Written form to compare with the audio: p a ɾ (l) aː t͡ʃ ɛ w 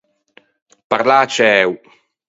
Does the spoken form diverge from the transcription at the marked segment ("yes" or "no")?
no